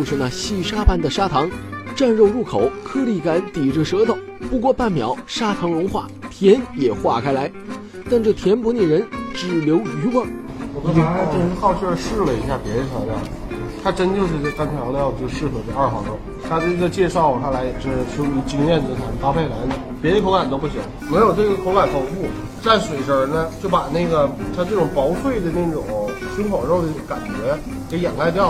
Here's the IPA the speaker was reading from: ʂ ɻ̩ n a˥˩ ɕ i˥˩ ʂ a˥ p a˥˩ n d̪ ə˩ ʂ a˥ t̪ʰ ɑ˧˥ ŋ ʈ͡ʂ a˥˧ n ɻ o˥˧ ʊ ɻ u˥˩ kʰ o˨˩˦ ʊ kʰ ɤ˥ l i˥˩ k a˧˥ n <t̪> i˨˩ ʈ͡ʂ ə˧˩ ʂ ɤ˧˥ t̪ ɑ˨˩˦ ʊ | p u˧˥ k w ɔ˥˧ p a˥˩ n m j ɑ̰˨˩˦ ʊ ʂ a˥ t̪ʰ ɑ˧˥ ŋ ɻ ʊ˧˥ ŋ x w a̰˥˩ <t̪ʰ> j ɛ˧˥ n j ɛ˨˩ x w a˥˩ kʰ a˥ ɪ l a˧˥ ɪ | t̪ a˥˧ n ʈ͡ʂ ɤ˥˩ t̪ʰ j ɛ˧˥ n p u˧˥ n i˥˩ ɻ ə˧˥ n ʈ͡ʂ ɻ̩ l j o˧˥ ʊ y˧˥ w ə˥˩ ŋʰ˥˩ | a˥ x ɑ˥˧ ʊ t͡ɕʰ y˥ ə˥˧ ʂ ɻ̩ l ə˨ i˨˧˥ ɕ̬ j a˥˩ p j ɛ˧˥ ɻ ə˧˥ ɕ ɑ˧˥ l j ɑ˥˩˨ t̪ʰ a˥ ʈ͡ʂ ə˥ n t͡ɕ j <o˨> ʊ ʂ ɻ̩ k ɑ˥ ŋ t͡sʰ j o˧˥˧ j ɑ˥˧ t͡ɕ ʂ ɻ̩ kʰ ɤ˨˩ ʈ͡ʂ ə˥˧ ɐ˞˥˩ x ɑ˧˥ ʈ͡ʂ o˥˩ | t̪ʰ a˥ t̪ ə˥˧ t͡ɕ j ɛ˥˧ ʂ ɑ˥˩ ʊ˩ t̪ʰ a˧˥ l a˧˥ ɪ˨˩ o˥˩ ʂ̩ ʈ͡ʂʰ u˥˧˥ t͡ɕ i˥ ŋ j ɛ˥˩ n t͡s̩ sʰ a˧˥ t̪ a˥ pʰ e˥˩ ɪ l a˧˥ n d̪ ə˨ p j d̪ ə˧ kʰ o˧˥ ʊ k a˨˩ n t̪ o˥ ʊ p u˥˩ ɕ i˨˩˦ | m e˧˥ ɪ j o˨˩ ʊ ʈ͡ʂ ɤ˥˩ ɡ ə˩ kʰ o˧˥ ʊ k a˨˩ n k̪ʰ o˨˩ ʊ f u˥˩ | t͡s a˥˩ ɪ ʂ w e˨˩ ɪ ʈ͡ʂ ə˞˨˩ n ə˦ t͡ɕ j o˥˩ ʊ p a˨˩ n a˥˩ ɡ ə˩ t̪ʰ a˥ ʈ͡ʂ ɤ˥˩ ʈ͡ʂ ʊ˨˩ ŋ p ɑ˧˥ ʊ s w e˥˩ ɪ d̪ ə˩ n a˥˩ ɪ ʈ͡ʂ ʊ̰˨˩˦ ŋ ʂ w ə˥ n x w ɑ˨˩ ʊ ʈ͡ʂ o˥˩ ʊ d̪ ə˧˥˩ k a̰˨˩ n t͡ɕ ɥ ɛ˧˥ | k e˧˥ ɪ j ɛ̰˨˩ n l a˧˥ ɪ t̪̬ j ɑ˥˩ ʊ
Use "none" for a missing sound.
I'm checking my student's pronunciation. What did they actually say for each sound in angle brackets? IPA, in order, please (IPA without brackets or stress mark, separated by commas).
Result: t̪, t̪ʰ, o˥˧